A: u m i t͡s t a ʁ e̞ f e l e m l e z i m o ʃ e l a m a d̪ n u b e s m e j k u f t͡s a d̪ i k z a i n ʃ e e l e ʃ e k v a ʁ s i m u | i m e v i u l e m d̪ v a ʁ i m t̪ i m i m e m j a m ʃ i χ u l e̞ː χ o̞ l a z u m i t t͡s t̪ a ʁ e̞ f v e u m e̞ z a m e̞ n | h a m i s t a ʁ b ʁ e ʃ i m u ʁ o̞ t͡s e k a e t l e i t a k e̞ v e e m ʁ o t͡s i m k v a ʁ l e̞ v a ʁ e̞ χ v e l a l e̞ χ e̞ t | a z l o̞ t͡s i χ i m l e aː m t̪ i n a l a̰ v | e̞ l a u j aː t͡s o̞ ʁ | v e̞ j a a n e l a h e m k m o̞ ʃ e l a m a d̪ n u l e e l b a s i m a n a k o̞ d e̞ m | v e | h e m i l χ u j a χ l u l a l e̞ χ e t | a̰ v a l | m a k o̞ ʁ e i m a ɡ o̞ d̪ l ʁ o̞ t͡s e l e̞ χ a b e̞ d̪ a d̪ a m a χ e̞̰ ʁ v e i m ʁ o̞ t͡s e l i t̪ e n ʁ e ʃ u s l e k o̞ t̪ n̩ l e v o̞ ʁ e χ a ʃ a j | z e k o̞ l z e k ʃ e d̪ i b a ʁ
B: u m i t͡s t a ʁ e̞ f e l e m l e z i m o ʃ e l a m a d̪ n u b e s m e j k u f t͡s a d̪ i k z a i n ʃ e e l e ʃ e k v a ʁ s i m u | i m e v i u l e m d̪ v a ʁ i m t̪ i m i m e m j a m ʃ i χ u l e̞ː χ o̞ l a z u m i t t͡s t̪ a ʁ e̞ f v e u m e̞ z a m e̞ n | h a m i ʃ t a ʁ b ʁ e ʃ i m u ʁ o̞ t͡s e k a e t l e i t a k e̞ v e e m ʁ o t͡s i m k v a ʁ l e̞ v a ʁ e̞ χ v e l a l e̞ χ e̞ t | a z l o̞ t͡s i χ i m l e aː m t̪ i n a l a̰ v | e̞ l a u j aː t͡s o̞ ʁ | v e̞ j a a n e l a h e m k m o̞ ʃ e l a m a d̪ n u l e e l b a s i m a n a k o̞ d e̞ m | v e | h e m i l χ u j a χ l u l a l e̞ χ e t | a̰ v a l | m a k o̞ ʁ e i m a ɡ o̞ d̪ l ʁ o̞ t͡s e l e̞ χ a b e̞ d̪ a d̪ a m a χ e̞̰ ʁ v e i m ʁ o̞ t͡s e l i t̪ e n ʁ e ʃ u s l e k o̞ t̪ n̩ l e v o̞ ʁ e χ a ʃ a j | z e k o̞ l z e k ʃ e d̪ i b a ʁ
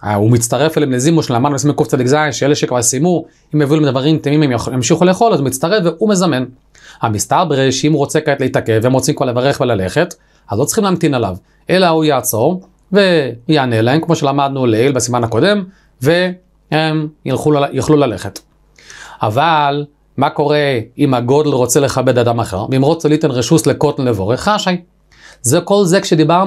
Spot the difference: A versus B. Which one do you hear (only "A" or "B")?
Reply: A